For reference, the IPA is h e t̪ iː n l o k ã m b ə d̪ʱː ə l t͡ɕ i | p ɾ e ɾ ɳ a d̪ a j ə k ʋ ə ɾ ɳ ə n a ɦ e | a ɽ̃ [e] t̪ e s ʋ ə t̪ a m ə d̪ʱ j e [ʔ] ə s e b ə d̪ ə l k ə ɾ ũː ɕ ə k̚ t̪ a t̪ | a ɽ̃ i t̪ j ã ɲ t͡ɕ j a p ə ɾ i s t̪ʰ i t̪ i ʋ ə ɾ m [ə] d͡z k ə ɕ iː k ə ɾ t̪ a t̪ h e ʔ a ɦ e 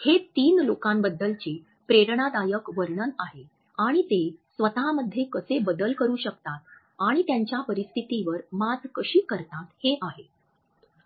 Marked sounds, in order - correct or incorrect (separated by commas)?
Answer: incorrect, incorrect, incorrect